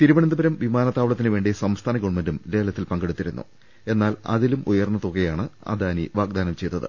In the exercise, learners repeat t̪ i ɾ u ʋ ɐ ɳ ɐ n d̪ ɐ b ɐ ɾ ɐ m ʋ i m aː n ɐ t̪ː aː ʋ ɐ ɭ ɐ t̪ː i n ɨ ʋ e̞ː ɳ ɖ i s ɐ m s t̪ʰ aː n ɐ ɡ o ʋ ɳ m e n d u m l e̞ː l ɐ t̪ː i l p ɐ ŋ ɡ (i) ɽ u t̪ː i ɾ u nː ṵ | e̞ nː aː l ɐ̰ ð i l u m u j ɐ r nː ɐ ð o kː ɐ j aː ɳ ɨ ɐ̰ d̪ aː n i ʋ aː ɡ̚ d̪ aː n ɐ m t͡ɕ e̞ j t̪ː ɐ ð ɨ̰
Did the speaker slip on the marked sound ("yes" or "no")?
yes